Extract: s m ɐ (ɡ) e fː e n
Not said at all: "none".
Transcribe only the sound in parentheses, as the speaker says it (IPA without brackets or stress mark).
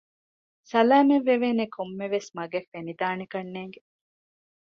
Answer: ɡ